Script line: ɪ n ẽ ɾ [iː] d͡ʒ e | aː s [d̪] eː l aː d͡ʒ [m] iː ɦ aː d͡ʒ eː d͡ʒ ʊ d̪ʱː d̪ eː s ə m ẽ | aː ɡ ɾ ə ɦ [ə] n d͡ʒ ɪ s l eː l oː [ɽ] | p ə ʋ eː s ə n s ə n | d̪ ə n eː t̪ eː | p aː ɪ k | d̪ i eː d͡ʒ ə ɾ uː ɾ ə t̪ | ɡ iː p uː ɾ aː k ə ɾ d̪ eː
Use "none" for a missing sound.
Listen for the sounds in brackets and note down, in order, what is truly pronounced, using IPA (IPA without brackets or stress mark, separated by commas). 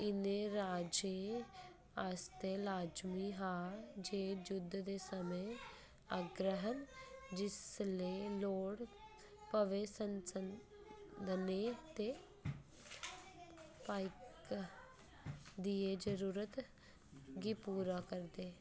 aː, t̪, m, ə, ɽ